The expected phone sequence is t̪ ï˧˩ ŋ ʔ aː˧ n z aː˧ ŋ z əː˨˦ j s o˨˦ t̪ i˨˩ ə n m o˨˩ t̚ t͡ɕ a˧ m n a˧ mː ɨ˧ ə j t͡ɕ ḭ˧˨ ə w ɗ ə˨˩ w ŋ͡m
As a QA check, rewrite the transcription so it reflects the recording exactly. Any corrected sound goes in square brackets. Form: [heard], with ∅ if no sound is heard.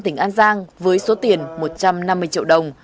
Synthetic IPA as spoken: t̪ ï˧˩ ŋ ʔ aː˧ n z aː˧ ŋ [v] əː˨˦ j s o˨˦ t̪ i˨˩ ə n m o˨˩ t̚ t͡ɕ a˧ m n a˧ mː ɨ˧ ə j t͡ɕ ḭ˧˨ ə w ɗ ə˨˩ w ŋ͡m